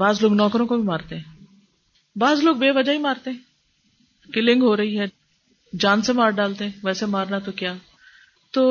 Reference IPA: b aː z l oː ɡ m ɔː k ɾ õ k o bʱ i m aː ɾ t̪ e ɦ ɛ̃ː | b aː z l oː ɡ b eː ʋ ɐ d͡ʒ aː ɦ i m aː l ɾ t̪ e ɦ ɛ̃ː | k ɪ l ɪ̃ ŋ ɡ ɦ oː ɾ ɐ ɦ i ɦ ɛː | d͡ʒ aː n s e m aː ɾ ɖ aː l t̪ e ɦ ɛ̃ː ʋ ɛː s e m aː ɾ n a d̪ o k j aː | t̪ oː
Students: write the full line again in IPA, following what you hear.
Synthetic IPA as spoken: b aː z l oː ɡ n ɔː k ɾ õ k o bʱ i m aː ɾ t̪ e ɦ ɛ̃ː | b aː z l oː ɡ b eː ʋ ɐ d͡ʒ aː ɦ i m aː ɾ t̪ e ɦ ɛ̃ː | k ɪ l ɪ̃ ŋ ɡ ɦ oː ɾ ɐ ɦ i ɦ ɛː | d͡ʒ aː n s e m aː ɾ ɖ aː l t̪ e ɦ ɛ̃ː ʋ ɛː s e m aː ɾ n a t̪ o k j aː | t̪ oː